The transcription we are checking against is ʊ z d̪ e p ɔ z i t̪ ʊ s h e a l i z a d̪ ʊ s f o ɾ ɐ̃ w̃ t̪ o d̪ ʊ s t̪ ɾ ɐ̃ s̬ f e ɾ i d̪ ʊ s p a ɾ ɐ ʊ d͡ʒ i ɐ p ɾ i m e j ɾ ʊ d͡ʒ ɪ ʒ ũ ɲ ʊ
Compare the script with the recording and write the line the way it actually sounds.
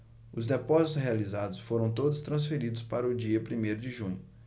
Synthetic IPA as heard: ʊ z d̪ e p ɔ z i t̪ ʊ s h e a l i z a d̪ ʊ s f o ɾ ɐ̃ w̃ t̪ o d̪ ʊ s t̪ ɾ ɐ̃ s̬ f e ɾ i d̪ ʊ s p a ɾ ɐ ʊ d͡ʒ i ɐ p ɾ i m e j ɾ ʊ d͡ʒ ɪ ʒ ũ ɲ ʊ